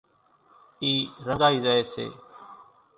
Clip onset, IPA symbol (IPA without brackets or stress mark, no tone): iː